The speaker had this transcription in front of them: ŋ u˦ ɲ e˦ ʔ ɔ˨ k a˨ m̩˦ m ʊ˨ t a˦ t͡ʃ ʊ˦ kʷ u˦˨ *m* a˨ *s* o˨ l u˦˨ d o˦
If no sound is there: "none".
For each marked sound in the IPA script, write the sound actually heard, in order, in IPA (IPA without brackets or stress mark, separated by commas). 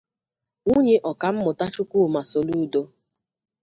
m, s